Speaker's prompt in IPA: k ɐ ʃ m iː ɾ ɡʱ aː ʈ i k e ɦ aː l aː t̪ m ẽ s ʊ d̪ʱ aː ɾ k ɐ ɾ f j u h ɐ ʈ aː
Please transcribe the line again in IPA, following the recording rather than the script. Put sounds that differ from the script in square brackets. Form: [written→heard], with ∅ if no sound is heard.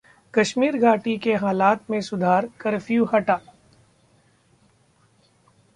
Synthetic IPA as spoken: k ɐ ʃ m iː ɾ ɡʱ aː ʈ i k e ɦ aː l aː t̪ m ẽ s ʊ d̪ʱ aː ɾ k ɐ ɾ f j u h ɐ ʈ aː